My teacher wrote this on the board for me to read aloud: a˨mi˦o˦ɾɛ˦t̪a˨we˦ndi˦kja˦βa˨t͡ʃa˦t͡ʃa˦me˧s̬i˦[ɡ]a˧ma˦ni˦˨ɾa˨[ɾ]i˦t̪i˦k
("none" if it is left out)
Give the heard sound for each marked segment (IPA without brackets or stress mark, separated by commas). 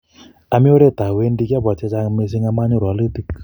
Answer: ŋ, l